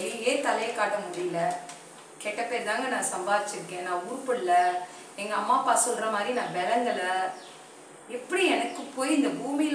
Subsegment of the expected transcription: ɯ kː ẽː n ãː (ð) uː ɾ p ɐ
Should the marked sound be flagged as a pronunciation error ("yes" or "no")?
yes